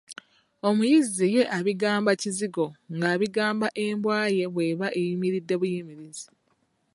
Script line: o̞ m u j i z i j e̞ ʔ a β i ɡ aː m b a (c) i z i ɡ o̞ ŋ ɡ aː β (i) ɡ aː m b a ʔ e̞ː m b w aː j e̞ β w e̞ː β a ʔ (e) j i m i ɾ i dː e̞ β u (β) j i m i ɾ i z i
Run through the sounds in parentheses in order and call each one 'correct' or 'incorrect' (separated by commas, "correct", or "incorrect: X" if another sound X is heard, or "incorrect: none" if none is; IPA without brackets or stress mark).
correct, correct, correct, incorrect: none